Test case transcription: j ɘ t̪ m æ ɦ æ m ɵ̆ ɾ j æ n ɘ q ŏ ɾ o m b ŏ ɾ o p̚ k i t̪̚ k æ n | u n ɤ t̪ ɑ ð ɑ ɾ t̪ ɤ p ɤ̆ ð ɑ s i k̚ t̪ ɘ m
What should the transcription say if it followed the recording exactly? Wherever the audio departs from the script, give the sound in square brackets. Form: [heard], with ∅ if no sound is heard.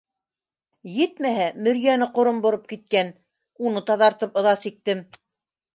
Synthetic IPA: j ɘ t̪ m æ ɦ æ m ɵ̆ ɾ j æ n ɘ q ŏ ɾ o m b ŏ ɾ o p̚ k i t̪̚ k æ n | u n ɤ t̪ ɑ ð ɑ ɾ t̪ ɤ p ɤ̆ ð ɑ s i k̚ t̪ ɘ m